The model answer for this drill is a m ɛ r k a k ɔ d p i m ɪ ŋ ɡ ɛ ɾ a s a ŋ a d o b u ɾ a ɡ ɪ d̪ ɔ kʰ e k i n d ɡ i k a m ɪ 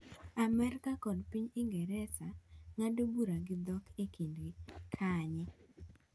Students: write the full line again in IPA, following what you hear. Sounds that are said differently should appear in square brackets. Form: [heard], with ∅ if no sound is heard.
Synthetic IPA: a m ɛ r k a k ɔ d p i [ɲ] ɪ ŋ ɡ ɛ ɾ [ɛ] s a ŋ a d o b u ɾ a ɡ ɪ d̪ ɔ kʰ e k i n d ɡ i [kʰ] a [ɲ] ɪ